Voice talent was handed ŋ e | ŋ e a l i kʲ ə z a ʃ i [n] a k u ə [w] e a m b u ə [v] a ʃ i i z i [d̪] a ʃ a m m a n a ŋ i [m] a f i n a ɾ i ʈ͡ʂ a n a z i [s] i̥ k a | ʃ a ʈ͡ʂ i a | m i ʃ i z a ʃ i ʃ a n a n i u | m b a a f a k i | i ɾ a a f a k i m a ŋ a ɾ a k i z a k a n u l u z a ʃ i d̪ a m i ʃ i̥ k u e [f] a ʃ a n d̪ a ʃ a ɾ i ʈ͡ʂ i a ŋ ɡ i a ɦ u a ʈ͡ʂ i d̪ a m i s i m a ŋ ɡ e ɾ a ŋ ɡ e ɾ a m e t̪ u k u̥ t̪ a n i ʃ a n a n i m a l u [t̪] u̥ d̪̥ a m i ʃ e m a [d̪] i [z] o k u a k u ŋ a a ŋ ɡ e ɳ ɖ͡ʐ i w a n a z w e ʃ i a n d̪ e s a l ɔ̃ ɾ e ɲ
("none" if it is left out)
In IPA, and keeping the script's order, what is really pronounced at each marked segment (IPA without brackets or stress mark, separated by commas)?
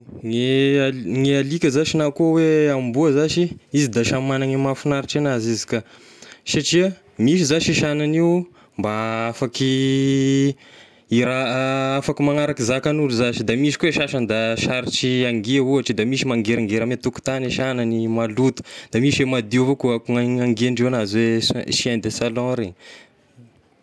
n, w, z, d̪, m, z, ʃ, t̪, d̪, v